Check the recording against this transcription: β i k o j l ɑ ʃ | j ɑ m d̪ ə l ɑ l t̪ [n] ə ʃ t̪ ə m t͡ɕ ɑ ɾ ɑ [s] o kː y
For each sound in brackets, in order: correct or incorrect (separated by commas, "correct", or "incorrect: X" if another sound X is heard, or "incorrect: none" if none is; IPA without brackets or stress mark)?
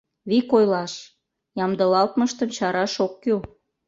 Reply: incorrect: m, incorrect: ʃ